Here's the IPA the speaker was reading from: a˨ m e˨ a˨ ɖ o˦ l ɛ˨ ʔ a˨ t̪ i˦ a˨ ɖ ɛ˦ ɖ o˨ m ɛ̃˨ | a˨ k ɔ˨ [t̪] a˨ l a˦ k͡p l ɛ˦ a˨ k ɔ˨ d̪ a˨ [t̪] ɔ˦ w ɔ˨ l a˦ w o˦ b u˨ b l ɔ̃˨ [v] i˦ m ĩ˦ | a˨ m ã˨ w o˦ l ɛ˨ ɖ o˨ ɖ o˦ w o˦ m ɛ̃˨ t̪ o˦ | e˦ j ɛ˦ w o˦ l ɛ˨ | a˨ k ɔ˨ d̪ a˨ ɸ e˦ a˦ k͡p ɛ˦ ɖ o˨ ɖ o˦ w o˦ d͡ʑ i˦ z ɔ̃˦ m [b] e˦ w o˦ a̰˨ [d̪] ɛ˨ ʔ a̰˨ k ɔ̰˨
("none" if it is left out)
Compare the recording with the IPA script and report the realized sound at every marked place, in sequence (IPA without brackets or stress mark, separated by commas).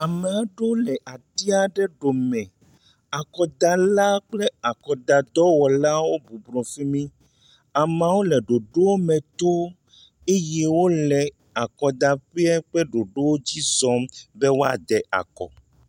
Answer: d̪, d̪, f, b, d̪